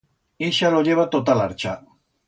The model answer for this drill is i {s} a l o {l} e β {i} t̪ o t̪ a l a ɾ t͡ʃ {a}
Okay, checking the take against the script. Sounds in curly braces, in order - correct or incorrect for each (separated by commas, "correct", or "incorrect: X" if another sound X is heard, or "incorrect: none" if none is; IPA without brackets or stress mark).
incorrect: ʃ, incorrect: ʎ, incorrect: a, correct